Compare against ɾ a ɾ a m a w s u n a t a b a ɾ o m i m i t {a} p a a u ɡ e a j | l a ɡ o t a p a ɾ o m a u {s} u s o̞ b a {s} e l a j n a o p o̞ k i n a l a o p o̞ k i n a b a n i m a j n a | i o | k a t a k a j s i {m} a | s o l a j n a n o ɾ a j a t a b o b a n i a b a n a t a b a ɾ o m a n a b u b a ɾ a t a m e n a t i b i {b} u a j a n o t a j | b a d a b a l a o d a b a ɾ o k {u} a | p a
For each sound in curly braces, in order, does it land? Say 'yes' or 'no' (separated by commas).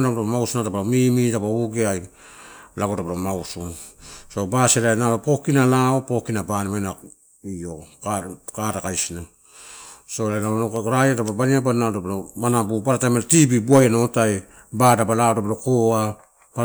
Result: yes, yes, yes, no, yes, no